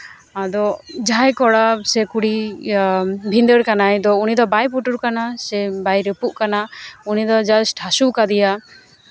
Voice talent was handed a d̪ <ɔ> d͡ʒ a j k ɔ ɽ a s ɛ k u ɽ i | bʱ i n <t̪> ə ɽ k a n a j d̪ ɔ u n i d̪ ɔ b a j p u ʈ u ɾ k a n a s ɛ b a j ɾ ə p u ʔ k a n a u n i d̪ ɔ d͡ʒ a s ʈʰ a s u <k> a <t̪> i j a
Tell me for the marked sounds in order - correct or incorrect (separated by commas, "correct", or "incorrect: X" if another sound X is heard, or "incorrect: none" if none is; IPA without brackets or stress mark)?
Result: correct, incorrect: d̪, correct, incorrect: d̪